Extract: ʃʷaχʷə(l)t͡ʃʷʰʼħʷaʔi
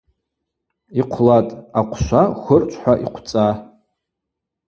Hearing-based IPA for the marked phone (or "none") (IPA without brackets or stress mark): r